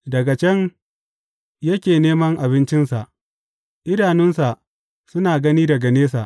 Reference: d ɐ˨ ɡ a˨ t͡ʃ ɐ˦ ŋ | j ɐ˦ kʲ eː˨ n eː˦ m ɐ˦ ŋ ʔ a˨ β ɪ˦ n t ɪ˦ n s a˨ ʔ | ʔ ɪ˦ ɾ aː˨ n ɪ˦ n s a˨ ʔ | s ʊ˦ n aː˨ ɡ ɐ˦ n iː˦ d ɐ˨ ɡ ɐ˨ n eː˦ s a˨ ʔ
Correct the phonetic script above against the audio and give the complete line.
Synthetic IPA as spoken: d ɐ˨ ɡ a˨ t͡ʃ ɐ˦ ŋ | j ɐ˦ kʲ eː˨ n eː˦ m ɐ˦ ŋ ʔ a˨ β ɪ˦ n t͡ʃ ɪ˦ n s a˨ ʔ | ʔ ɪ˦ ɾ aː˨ n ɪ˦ n s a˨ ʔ | s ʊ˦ n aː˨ ɡ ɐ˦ n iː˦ d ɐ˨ ɡ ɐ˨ n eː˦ s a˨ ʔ